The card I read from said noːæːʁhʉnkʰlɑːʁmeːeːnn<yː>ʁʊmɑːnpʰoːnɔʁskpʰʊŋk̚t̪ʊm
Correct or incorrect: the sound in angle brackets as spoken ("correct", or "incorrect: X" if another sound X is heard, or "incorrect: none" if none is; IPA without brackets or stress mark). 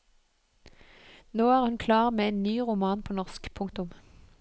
correct